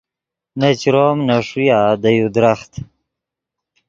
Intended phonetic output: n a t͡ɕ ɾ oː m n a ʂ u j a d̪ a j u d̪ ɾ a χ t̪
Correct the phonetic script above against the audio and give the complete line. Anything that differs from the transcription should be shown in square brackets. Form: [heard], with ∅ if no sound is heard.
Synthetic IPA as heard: n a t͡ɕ ɾ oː m n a ʂ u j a d̪ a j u d̪ ɾ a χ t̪

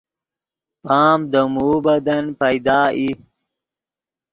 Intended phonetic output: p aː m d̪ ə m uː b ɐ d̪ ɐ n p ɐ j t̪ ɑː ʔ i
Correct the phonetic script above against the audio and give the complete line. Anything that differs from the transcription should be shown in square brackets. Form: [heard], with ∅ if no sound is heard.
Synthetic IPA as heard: p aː m d̪ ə m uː b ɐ d̪ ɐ n p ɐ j [d̪] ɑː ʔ i

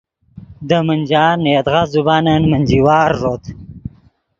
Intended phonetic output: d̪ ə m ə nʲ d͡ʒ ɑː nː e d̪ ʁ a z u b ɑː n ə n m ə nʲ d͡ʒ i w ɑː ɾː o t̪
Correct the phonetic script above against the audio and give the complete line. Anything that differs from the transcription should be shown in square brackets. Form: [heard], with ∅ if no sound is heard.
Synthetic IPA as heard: d̪ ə m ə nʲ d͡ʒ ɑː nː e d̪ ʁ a z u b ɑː n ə n m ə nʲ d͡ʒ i w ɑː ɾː o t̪

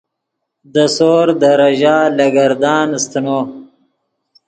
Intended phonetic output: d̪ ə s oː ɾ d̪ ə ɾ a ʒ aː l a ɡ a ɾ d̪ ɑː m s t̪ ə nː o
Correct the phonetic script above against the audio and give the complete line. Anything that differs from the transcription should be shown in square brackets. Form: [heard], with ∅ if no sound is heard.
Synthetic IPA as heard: d̪ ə s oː ɾ d̪ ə ɾ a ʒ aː l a ɡ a ɾ d̪ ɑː [n] s t̪ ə [n] o

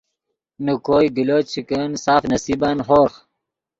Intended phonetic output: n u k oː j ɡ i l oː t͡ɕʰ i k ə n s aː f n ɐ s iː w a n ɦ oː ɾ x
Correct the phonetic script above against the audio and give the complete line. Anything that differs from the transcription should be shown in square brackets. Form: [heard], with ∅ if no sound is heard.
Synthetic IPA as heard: n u k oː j ɡ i l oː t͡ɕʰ i k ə n s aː f n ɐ s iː [b] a n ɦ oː ɾ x

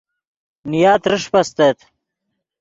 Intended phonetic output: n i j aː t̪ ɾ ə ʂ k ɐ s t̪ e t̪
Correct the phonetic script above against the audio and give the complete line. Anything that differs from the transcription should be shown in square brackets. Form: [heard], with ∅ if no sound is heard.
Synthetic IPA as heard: n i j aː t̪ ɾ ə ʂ [p] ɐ s t̪ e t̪

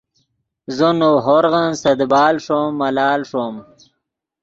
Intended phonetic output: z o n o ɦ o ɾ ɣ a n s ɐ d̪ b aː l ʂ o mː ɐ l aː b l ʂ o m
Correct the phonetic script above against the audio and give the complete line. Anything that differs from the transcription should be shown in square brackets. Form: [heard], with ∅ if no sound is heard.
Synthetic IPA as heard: z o n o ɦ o ɾ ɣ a n s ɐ d̪ b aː l ʂ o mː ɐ l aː [∅] l ʂ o m

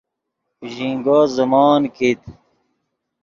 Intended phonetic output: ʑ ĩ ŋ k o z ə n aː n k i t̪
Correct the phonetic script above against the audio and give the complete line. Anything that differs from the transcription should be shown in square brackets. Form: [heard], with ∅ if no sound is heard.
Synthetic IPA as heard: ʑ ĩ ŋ [ɡ] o z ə [m] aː n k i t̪

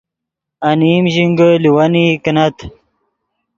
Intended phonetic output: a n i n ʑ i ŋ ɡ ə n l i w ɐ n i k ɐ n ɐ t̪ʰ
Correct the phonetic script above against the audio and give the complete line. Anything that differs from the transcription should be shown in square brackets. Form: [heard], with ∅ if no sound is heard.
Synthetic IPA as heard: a n i [m] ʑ i ŋ ɡ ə [∅] l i w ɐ n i k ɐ n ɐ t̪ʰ

